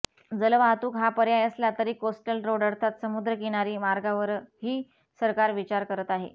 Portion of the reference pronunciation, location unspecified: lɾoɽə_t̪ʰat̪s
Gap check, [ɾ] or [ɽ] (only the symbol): ɽ